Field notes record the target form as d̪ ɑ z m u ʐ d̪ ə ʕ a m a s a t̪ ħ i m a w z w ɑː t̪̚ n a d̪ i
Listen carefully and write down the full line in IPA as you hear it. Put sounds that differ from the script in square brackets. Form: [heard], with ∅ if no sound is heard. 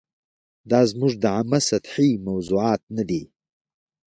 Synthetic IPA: d̪ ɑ z m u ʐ d̪ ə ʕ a m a s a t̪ ħ i m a w z [u] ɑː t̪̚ n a d̪ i